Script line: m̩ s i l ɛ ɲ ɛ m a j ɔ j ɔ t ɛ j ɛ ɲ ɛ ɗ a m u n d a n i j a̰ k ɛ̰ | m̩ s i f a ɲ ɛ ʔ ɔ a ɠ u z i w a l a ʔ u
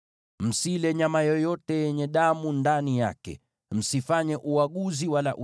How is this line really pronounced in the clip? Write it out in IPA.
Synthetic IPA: m̩ s i l ɛ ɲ a m a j ɔ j ɔ t ɛ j ɛ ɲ ɛ ɗ a m u n d a n i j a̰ k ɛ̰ | m̩ s i f a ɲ ɛ ʔ u a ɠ u z i w a l a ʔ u